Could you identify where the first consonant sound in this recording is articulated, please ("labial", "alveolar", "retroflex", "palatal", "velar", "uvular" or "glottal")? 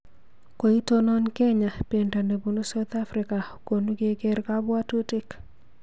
velar